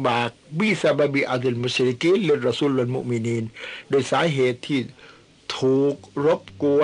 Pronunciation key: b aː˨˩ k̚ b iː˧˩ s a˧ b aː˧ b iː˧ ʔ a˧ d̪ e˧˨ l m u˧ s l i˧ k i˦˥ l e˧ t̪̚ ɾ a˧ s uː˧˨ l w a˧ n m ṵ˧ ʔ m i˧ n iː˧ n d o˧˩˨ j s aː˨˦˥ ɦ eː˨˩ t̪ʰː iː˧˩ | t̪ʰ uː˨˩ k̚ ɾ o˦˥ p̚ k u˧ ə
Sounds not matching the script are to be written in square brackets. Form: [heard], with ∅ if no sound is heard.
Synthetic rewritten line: b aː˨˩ k̚ b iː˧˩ s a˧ b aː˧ b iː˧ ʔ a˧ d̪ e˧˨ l m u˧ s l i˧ k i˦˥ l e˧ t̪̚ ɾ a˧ s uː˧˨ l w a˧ n m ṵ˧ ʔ m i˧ n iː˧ n d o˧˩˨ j s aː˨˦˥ ɦ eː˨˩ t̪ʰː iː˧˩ | t̪ʰ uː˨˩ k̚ ɾ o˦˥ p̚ k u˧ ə